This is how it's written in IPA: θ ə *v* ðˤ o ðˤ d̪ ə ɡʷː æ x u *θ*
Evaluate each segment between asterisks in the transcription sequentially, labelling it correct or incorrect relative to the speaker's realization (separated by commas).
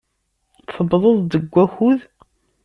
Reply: incorrect, incorrect